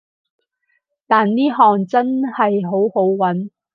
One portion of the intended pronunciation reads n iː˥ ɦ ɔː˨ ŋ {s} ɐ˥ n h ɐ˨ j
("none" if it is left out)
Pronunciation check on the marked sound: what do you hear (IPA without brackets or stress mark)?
t͡s